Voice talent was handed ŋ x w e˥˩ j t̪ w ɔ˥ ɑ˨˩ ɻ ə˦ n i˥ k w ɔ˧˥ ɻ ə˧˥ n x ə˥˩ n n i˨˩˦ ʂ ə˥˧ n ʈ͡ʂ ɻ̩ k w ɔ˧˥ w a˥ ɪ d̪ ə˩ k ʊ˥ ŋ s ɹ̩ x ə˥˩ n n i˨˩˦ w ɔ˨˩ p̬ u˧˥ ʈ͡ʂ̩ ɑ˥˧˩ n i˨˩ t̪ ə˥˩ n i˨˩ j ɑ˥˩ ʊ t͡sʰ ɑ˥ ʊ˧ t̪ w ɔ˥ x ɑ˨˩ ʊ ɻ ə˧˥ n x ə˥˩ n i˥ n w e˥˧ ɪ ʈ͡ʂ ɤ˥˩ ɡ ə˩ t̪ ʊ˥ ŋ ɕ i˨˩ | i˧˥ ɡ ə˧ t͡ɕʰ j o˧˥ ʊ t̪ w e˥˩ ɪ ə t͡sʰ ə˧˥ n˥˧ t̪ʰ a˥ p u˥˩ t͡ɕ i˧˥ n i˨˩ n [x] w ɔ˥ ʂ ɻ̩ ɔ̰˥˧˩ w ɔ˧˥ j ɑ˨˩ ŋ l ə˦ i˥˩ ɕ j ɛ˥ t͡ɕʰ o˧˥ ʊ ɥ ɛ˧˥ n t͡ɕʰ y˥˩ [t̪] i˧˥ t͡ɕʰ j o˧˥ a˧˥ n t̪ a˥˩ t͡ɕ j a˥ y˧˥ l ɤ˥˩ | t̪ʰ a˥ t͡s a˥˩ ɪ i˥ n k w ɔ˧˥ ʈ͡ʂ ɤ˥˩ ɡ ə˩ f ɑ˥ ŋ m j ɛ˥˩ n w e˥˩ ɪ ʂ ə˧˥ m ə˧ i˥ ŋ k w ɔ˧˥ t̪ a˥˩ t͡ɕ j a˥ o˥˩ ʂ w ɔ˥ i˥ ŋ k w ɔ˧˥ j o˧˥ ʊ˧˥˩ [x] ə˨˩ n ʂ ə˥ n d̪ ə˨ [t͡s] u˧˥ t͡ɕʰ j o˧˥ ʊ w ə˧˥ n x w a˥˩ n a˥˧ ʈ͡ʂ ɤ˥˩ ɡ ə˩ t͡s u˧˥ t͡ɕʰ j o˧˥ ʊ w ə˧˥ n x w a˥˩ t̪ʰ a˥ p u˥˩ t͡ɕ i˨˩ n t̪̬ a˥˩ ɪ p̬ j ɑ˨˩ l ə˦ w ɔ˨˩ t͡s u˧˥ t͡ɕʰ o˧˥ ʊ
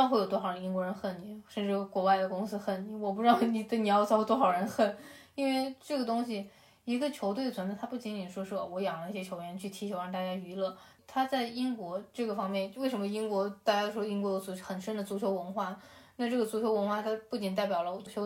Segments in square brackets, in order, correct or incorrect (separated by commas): incorrect, incorrect, correct, correct